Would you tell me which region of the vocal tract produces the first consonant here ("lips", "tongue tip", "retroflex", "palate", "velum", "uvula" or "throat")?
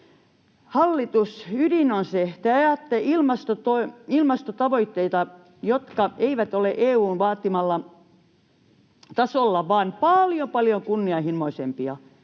throat